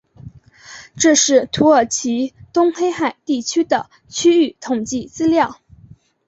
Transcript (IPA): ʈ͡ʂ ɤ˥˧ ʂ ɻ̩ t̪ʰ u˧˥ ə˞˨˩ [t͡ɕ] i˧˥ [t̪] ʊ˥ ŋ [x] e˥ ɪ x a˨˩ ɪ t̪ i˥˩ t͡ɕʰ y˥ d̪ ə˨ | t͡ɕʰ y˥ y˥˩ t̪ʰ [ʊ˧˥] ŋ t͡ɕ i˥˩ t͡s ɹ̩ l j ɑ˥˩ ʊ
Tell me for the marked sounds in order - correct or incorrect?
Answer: incorrect: t͡ɕʰ, correct, correct, incorrect: ʊ˨˩

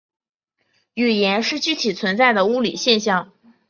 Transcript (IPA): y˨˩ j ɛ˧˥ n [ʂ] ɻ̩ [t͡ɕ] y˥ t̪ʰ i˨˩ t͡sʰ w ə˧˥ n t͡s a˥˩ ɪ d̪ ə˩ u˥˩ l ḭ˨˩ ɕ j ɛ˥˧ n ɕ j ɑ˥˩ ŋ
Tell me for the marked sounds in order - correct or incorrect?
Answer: correct, correct

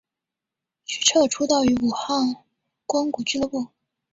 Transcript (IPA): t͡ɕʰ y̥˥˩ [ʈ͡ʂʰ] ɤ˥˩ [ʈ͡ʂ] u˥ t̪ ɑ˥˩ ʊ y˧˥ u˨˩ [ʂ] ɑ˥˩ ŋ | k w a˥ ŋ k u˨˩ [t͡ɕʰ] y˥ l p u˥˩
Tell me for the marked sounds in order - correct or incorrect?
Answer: correct, incorrect: ʈ͡ʂʰ, incorrect: x, incorrect: t͡ɕ

